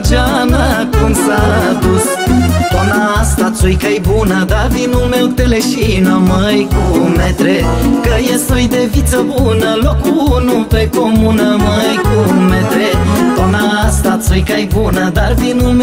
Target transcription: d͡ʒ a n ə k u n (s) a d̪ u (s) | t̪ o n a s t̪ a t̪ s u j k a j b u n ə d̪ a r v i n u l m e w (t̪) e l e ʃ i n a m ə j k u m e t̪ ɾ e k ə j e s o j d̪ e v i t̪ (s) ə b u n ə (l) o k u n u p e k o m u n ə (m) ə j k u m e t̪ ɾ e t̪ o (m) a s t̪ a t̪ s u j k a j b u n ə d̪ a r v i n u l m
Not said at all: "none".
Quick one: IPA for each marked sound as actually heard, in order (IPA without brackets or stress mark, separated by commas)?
s, s, t̪, s, l, m, n